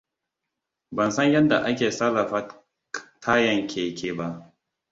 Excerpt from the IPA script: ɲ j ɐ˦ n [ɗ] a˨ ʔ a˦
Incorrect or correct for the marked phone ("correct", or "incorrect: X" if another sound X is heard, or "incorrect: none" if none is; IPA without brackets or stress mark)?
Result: incorrect: d